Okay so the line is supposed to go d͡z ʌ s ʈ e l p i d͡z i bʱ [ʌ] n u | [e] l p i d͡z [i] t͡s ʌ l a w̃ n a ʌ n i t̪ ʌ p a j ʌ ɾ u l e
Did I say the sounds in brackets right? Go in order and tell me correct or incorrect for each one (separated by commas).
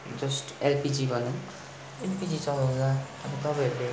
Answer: correct, correct, correct